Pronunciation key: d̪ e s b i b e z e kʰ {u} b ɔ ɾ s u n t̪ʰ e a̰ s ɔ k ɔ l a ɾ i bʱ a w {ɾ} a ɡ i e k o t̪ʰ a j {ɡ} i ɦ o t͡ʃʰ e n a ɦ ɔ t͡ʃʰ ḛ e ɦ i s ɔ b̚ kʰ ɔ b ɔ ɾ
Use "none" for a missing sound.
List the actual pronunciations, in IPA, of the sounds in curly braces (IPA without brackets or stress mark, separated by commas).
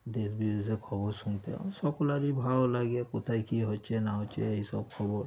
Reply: ɔ, l, k